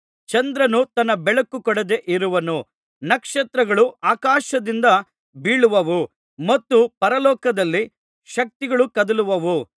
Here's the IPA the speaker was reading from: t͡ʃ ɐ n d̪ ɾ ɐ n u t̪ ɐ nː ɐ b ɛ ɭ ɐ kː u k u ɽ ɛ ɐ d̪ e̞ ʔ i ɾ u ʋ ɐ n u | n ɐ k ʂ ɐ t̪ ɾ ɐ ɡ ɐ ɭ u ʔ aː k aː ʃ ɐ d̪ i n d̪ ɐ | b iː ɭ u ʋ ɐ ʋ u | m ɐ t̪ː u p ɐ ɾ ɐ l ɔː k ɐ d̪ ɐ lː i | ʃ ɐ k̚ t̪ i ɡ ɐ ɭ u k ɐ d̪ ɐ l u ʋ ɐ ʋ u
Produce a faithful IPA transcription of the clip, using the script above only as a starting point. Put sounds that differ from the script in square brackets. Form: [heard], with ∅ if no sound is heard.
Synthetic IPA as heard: t͡ʃ ɐ n d̪ ɾ ɐ n u t̪ ɐ nː ɐ b ɛ ɭ ɐ kː u k [ɔ] ɽ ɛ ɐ d̪ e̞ ʔ i ɾ u ʋ ɐ n u | n ɐ k ʂ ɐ t̪ ɾ ɐ ɡ ɐ ɭ u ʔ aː k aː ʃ ɐ d̪ i n d̪ ɐ | b iː ɭ u ʋ ɐ ʋ u | m ɐ t̪ː u p ɐ ɾ ɐ l ɔː k ɐ d̪ ɐ lː i | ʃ ɐ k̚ t̪ i ɡ ɐ ɭ u k ɐ d̪ ɐ l u ʋ ɐ ʋ u